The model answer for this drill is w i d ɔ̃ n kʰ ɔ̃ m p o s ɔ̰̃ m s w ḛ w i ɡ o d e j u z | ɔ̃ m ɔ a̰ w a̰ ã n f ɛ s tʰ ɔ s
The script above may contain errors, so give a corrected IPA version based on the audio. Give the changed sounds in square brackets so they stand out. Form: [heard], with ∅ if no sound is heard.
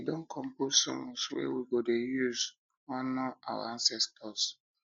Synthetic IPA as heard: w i d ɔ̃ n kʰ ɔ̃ m p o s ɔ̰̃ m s w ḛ w i ɡ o d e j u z | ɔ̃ [n] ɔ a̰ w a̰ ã n [s] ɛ s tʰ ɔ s